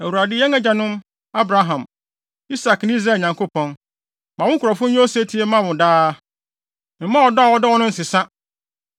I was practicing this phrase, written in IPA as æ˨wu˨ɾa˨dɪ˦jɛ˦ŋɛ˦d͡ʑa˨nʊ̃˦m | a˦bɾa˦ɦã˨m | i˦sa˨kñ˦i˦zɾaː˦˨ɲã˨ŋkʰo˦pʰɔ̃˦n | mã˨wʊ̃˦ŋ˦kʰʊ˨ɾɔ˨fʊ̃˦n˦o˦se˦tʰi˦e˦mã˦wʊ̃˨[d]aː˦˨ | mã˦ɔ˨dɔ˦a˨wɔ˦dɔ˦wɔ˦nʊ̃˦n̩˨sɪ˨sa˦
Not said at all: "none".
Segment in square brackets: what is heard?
d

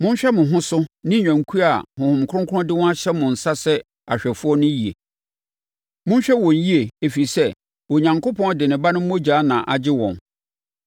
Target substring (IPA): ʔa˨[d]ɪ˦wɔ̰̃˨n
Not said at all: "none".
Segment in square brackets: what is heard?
d͡ʑ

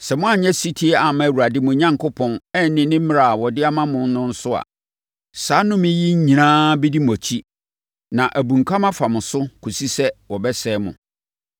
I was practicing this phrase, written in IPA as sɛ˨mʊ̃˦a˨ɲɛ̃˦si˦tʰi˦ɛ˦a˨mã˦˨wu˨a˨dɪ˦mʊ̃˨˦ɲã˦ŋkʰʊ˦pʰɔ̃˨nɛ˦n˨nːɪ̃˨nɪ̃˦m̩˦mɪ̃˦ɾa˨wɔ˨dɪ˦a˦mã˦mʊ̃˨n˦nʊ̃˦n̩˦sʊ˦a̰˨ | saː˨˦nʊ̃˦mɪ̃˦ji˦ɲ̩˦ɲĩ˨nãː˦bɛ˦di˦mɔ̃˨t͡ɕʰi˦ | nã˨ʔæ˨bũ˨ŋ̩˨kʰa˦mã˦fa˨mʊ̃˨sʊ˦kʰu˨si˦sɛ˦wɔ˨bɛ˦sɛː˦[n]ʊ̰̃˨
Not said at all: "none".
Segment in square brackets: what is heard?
m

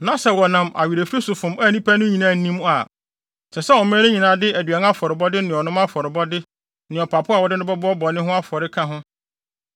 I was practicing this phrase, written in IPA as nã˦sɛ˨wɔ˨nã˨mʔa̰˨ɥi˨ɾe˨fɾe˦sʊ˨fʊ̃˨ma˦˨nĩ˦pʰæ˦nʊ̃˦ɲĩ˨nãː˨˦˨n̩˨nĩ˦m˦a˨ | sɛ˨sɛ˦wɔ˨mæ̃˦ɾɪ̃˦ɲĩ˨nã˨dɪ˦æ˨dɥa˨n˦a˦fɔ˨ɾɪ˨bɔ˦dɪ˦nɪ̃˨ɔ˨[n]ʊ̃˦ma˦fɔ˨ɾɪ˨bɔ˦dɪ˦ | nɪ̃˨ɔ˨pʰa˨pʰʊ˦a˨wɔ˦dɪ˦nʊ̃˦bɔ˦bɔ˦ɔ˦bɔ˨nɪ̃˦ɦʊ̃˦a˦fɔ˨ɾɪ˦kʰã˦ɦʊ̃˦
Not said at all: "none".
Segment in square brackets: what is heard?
n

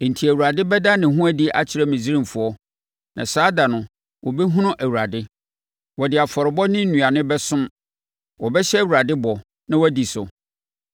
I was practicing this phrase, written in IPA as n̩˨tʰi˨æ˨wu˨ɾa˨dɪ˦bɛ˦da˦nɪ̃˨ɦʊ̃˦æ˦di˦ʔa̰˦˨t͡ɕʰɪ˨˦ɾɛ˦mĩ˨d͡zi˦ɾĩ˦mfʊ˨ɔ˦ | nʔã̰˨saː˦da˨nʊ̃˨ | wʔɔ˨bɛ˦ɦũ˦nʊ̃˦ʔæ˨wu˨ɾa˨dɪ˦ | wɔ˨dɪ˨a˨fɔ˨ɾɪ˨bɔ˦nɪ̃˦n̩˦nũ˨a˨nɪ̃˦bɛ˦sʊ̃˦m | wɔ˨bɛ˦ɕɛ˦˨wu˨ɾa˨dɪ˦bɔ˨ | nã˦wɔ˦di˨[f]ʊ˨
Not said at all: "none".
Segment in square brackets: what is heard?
s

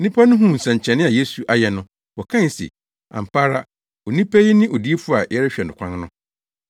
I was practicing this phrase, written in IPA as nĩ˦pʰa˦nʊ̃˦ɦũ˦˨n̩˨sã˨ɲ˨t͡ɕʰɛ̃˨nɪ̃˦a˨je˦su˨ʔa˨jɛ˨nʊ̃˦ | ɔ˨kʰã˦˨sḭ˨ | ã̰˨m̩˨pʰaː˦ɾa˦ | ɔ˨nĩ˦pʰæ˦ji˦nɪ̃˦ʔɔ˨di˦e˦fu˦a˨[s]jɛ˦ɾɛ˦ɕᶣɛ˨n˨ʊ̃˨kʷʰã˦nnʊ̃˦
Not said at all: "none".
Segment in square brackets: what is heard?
none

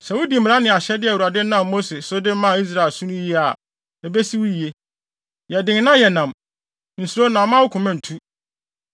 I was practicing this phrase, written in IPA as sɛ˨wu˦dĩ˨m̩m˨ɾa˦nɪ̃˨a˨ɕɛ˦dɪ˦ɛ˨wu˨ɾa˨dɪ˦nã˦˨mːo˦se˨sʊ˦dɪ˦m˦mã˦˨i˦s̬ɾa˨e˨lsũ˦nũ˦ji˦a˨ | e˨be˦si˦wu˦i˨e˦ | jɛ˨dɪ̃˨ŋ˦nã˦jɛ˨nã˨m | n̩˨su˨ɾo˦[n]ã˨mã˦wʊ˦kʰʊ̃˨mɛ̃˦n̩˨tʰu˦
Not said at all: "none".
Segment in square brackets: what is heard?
n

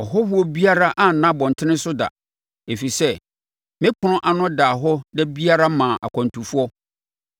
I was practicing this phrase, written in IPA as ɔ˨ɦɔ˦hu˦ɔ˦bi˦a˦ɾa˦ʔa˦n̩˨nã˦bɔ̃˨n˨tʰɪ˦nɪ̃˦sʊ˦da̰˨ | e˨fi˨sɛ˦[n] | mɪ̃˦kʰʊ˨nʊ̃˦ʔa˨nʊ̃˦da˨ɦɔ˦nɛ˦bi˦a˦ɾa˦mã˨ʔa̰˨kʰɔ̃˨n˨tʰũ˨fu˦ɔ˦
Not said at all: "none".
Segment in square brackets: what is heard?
none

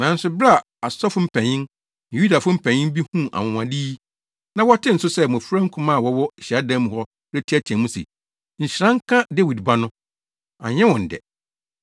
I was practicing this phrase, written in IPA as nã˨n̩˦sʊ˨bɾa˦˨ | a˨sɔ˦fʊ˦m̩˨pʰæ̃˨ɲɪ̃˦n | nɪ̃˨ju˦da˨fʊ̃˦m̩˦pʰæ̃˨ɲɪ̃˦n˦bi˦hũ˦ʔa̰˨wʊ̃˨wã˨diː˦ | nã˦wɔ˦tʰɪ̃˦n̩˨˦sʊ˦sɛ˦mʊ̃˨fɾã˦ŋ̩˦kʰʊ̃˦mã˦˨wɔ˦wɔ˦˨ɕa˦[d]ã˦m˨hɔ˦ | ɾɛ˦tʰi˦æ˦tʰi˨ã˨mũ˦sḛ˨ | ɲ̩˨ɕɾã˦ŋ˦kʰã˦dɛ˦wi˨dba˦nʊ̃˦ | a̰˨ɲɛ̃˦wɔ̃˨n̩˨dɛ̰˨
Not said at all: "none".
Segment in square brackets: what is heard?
d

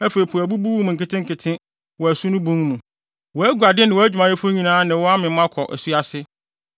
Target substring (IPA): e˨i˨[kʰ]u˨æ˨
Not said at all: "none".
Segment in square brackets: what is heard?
pʰ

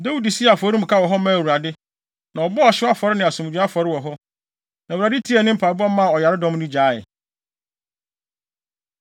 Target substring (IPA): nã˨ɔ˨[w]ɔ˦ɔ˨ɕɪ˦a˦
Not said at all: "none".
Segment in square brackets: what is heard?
b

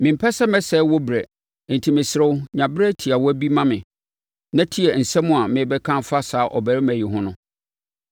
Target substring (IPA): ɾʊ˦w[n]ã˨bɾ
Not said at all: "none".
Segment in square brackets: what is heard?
ɲ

